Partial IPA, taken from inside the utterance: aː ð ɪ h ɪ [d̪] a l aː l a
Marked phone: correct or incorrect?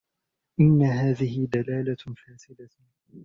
correct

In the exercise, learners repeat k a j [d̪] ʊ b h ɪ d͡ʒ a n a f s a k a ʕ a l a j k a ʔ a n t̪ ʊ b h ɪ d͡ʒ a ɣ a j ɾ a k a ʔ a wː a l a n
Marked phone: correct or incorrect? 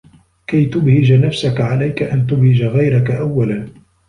incorrect: t̪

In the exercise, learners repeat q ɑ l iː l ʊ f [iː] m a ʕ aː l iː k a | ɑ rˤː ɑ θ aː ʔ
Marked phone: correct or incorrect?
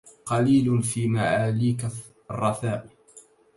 correct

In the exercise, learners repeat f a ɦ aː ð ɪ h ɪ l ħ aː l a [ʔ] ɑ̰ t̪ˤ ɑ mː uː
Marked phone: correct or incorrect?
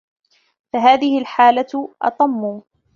correct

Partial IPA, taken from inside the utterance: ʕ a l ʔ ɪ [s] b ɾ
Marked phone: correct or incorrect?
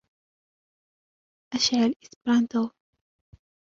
correct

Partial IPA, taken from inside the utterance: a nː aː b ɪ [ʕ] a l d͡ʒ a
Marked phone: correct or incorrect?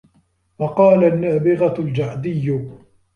incorrect: ɣ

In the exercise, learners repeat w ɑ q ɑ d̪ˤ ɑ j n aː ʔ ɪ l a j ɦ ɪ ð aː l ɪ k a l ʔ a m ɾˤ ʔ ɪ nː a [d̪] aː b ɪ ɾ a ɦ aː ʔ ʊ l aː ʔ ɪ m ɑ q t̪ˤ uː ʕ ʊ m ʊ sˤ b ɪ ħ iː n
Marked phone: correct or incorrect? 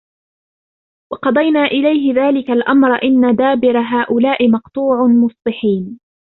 correct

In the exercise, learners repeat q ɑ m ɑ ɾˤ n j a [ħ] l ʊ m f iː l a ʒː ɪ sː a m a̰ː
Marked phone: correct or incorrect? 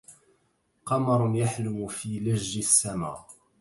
correct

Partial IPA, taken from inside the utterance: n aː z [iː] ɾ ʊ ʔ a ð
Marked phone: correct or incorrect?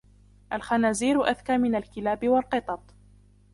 correct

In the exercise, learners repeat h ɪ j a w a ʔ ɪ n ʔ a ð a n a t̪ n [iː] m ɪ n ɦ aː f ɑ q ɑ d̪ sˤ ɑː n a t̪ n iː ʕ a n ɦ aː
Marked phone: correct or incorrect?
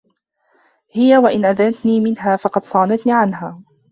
correct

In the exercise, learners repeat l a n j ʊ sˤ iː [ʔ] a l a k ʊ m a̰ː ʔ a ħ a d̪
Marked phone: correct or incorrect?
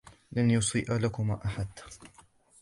correct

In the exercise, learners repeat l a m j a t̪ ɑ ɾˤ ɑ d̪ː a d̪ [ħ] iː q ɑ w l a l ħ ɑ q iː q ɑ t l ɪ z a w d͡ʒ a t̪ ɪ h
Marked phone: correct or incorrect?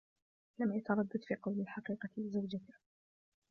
incorrect: f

